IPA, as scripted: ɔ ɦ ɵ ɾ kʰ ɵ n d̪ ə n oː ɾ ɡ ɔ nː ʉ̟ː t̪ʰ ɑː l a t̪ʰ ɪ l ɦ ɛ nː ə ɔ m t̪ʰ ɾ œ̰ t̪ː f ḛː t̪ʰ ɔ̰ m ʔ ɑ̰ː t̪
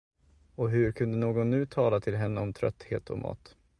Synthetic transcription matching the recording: ɔ ɦ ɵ ɾ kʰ ɵ n d̪ ə n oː ɡ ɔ nː ʉ̟ː t̪ʰ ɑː l a t̪ʰ ɪ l ɦ ɛ nː ə ɔ m t̪ʰ ɾ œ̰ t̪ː h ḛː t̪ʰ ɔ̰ m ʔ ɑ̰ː t̪